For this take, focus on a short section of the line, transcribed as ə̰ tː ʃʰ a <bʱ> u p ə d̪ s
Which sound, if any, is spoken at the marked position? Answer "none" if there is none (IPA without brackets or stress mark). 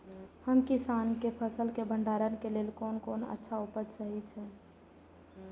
none